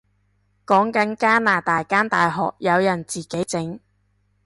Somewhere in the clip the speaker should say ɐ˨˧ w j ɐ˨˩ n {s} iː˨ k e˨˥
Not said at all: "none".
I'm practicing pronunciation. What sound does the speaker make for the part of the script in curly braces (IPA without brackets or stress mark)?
t͡s